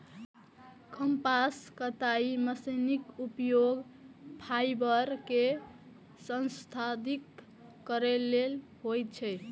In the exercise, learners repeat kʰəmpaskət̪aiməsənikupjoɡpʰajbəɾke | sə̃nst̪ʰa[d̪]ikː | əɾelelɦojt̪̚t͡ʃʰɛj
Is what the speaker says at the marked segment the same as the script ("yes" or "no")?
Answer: yes